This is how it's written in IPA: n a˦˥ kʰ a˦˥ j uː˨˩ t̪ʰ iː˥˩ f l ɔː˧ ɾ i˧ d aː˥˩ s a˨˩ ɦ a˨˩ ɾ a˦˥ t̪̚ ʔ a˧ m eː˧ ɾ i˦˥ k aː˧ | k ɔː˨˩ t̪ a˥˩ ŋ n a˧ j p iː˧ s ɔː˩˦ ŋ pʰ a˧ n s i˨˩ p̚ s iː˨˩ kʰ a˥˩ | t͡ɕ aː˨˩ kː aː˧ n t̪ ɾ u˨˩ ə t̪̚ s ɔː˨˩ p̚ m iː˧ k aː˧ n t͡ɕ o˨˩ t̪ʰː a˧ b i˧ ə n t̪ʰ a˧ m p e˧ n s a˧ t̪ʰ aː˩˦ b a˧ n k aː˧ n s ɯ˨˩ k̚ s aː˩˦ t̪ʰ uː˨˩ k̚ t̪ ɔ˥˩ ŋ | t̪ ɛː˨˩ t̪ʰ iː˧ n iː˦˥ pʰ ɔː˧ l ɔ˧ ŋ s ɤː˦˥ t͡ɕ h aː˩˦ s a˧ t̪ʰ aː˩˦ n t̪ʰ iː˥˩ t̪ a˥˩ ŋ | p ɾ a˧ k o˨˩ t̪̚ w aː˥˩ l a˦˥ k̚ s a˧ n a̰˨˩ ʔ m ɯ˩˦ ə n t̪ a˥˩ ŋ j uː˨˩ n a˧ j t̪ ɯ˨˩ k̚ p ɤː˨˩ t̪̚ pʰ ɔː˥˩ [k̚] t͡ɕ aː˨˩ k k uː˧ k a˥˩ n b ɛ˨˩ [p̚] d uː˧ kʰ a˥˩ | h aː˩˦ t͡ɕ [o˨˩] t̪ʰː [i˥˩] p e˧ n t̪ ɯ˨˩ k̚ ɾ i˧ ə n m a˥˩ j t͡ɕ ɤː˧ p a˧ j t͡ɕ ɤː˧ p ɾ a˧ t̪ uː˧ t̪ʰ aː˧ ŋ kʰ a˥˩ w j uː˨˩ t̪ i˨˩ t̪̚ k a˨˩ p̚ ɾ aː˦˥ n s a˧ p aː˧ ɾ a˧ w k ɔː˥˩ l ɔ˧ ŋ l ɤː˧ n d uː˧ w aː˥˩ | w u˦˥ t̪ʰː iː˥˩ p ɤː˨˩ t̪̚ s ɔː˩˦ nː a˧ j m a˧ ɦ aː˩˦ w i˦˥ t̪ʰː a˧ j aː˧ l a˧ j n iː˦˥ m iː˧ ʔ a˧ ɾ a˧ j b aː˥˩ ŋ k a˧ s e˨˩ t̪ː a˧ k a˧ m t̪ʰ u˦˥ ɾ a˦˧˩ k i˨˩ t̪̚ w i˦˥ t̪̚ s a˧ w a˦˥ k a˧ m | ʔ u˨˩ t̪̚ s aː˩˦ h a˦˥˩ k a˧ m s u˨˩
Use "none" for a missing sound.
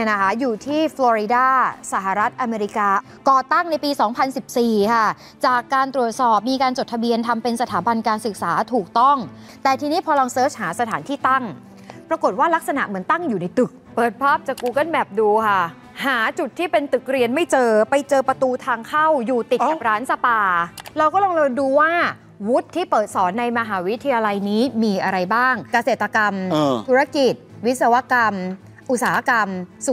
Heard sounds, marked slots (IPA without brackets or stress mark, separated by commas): p̚, p̚, u˨˩, iː˥˩